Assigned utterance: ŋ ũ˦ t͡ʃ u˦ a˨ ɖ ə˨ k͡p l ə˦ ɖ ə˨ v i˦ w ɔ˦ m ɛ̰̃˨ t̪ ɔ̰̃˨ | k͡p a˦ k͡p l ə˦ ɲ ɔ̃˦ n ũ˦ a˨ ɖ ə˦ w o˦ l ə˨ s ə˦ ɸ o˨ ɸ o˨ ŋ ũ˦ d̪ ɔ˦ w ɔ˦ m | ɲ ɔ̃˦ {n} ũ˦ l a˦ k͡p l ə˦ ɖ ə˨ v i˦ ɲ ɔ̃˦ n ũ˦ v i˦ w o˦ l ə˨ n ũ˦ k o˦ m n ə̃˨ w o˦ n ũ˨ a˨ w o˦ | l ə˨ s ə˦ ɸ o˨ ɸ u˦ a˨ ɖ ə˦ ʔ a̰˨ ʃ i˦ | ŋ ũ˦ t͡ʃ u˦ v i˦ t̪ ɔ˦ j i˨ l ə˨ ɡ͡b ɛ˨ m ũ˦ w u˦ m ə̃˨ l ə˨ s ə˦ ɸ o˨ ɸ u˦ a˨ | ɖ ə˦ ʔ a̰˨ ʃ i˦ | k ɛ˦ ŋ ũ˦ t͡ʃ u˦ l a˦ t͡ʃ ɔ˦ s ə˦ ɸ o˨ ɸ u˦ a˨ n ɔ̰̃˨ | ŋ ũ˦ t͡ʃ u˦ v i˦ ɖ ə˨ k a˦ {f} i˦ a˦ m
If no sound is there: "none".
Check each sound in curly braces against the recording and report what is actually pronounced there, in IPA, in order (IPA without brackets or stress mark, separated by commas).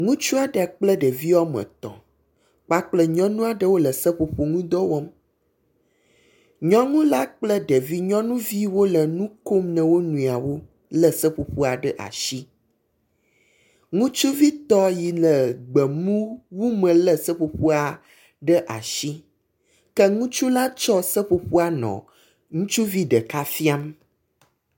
ŋ, f